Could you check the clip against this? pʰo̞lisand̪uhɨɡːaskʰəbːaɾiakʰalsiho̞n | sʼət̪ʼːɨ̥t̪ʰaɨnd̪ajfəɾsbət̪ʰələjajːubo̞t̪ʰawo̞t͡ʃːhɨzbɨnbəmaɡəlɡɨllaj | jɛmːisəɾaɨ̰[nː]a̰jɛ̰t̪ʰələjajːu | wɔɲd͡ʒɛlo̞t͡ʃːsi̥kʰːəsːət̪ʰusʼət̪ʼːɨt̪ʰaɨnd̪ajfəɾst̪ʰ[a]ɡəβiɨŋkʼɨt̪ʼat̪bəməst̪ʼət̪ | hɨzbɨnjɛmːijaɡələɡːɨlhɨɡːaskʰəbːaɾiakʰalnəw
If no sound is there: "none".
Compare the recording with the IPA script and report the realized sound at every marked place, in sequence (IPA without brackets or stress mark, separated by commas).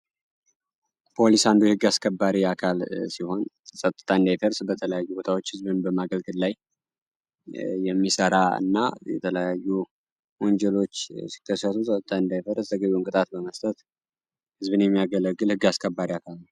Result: nː, ə